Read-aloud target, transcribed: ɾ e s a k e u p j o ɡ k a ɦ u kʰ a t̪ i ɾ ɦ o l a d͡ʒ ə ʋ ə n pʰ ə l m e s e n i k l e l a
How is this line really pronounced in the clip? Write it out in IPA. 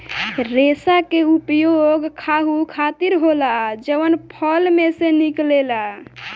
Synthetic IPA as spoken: ɾ e s a k e u p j o ɡ kʰ a ɦ u kʰ a t̪ i ɾ ɦ o l a d͡ʒ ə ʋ ə n pʰ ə l m e s e n i k l e l a